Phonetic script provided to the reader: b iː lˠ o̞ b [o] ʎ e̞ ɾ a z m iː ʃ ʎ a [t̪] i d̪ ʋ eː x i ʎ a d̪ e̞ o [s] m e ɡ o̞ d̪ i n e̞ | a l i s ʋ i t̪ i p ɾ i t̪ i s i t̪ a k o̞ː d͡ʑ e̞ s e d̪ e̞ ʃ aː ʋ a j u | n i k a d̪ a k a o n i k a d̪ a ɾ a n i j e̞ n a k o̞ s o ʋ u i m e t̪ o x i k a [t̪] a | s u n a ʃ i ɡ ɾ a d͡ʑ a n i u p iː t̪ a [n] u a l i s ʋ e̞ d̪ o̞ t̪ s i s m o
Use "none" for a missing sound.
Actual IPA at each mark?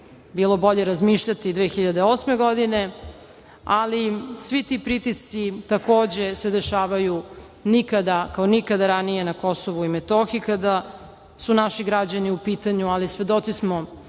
o, t̪, s, d̪, ɲ

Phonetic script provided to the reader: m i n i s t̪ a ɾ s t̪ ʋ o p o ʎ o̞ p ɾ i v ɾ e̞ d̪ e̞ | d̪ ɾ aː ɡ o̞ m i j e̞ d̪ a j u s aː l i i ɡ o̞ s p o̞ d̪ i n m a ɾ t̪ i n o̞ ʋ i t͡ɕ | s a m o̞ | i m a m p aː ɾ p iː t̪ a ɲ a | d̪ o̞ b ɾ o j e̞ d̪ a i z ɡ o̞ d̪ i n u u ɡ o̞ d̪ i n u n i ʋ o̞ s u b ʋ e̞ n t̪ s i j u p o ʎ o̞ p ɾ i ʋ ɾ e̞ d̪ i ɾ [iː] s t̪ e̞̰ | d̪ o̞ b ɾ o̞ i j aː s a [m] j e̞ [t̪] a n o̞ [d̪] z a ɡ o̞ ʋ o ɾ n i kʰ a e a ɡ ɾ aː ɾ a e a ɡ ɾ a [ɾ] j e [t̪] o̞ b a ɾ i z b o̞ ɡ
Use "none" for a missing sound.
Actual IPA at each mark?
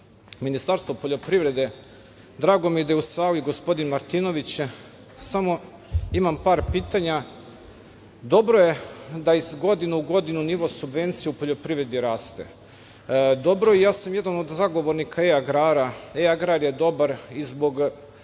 aː, m, d̪, d̪, ɾ, d̪

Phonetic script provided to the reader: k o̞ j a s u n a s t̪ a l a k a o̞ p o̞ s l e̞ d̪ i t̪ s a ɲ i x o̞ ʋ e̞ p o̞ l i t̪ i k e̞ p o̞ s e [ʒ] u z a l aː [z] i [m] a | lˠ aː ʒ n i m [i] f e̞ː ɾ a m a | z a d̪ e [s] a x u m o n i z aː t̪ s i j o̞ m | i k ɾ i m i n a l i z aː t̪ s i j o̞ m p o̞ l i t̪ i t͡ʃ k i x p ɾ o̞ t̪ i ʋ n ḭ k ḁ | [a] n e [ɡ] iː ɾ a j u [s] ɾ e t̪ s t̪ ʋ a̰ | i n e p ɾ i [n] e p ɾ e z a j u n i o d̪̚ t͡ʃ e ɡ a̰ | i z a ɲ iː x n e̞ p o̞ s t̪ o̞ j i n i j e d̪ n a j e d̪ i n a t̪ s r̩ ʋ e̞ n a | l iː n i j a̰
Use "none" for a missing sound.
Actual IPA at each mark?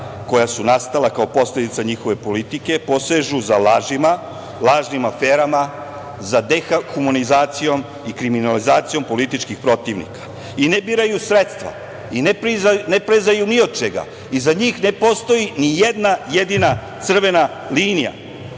ʒ, ʒ, m, a, x, i, b, s, n

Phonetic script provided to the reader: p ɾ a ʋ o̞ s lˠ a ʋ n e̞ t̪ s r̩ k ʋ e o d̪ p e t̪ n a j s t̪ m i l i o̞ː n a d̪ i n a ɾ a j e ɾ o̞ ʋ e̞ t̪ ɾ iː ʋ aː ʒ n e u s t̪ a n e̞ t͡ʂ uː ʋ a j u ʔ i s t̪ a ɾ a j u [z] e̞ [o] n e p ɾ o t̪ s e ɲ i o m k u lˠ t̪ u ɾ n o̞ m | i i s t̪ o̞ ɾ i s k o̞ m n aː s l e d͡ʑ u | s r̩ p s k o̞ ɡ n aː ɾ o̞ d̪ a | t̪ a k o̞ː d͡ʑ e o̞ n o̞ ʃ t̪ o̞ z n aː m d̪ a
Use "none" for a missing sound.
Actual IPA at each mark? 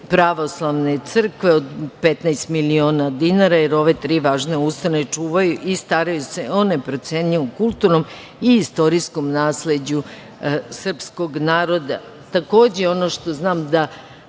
s, o

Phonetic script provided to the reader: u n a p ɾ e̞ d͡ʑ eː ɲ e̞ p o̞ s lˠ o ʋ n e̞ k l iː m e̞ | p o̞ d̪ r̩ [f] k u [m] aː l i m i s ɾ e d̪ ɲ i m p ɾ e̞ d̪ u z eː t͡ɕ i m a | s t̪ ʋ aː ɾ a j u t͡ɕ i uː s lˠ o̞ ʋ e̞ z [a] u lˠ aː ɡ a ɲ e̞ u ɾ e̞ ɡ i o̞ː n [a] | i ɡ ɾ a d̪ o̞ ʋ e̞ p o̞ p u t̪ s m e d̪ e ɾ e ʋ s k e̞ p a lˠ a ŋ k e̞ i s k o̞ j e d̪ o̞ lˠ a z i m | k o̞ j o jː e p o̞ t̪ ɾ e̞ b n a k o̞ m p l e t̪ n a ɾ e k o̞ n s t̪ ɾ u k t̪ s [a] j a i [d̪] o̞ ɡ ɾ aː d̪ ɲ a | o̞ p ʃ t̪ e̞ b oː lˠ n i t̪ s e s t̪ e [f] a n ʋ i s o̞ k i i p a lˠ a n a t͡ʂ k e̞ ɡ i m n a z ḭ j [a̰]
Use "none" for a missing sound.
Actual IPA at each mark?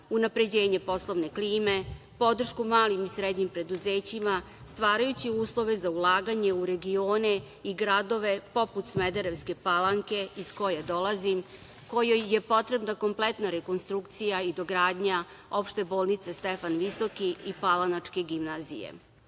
ʃ, m, a, e, i, d̪, f, ḛ

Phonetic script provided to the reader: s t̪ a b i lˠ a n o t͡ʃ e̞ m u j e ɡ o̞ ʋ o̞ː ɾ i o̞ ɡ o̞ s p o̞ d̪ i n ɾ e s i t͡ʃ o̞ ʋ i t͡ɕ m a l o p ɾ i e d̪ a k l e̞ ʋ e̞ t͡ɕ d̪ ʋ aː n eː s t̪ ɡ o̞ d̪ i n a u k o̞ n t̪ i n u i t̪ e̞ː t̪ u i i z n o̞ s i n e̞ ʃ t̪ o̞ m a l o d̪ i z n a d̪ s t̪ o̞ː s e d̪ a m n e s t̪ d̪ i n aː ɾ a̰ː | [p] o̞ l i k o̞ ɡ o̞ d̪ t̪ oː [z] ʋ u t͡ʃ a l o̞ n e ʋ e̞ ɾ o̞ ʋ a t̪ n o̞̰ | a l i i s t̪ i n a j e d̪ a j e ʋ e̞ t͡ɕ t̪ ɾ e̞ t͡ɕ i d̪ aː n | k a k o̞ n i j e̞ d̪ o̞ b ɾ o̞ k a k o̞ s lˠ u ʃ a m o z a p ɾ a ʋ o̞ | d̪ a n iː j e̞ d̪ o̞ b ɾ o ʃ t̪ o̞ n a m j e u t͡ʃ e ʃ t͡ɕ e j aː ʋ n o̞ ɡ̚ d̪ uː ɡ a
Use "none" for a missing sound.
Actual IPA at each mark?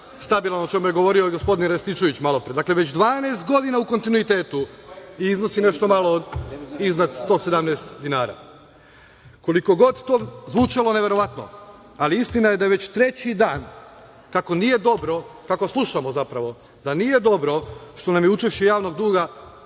k, z

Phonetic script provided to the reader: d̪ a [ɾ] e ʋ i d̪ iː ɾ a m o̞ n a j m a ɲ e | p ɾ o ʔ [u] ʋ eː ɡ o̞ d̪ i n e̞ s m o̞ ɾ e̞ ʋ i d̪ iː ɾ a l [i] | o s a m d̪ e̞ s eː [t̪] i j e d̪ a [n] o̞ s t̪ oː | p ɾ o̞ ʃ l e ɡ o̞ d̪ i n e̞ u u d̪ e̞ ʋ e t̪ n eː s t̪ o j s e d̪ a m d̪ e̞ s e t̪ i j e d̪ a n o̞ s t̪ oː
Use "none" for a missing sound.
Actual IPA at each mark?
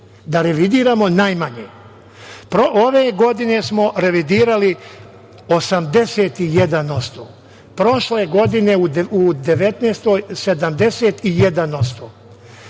ɾ, o, i, t̪, n

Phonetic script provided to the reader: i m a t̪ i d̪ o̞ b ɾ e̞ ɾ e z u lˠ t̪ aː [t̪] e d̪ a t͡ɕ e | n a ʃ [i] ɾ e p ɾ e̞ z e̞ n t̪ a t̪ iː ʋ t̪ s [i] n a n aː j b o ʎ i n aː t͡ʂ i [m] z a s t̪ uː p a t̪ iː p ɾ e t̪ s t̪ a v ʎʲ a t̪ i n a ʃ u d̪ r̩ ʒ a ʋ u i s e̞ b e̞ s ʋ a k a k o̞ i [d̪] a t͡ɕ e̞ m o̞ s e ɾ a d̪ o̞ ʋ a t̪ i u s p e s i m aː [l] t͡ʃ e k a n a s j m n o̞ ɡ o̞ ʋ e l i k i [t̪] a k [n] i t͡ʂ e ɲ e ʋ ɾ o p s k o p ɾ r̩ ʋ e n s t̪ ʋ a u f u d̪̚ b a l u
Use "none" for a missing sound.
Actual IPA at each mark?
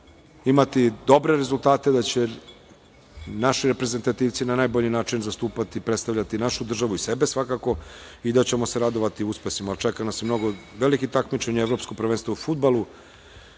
t̪, i, i, n, d̪, l, t̪, m

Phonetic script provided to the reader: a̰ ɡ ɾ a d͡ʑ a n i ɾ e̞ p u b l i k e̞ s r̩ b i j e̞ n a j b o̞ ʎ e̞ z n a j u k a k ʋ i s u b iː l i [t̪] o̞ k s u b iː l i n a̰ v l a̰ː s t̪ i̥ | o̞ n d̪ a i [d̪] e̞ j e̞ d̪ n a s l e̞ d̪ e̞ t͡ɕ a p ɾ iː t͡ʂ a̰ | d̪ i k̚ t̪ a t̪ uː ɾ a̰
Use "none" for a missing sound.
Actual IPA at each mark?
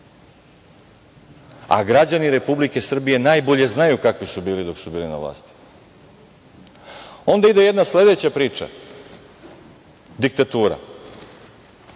d̪, d̪

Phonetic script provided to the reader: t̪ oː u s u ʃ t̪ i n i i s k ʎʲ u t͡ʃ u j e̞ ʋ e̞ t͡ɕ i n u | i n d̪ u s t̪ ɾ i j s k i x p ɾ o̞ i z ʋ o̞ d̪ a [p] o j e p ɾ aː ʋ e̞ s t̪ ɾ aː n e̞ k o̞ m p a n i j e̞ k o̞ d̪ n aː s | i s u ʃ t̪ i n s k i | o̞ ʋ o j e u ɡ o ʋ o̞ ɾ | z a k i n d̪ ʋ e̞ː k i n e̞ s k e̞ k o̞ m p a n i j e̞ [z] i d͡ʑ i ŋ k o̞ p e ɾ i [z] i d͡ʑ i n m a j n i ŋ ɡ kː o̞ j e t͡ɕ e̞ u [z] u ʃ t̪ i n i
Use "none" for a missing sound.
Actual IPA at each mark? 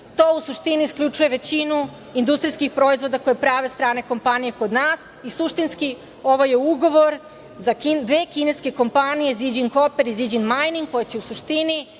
k, z, z, s

